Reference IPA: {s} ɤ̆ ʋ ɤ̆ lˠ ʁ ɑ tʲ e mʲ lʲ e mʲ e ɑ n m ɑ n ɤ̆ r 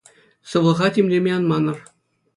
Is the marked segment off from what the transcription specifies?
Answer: no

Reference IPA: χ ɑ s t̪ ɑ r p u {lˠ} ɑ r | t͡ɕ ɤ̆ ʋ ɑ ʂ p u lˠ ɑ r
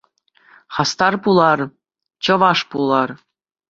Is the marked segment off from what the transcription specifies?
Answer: no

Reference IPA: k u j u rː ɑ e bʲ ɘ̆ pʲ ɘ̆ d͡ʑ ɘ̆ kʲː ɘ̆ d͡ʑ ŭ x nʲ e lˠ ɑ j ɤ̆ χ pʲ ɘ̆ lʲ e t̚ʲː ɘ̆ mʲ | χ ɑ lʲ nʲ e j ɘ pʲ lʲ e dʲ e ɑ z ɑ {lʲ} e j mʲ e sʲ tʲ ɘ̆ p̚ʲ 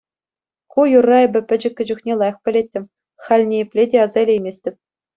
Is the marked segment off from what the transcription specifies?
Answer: no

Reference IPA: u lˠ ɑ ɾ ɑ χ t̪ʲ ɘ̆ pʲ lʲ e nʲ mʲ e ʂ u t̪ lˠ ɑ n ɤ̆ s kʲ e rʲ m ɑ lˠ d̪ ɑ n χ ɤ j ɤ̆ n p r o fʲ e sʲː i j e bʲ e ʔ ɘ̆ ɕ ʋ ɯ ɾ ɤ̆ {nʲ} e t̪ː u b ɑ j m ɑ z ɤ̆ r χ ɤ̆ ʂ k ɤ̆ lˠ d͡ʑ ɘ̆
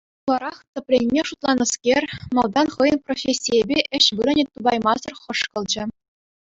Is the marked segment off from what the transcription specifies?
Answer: no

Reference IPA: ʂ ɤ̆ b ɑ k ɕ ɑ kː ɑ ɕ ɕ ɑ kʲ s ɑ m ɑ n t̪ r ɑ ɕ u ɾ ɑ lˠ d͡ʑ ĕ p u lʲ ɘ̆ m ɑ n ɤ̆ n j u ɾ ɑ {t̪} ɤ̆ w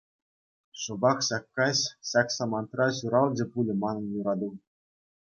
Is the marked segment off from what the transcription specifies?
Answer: yes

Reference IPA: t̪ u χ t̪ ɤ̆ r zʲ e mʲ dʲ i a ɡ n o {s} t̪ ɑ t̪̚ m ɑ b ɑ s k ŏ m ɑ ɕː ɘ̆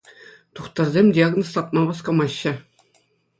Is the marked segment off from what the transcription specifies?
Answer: no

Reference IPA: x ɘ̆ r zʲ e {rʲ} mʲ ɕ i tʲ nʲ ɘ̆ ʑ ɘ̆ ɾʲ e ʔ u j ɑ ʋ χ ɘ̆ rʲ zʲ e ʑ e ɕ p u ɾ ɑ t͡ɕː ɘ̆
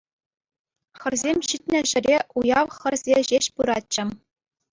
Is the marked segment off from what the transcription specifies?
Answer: yes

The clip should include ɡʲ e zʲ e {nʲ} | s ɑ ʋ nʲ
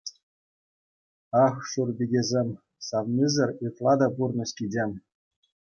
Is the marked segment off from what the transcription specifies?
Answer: yes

